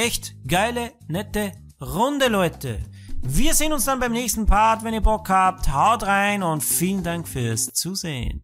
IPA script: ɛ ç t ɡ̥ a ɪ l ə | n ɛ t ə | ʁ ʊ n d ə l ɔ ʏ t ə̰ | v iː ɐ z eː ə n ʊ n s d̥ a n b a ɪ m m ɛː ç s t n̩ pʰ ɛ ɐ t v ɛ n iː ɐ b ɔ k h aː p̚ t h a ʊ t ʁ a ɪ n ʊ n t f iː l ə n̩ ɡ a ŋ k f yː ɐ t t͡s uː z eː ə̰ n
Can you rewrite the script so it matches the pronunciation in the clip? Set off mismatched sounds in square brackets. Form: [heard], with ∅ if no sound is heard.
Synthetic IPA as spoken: ɛ ç t ɡ̥ a ɪ l ə | n ɛ t ə | ʁ ʊ n d ə l ɔ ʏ t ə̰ | v iː ɐ z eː ə n ʊ n s d̥ a n b a ɪ m [n] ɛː ç s t n̩ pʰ [a] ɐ t v ɛ n iː ɐ b ɔ k h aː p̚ t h a ʊ t ʁ a ɪ n ʊ n t f iː l ə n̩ [d] a ŋ k f yː ɐ [s] t͡s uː z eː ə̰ n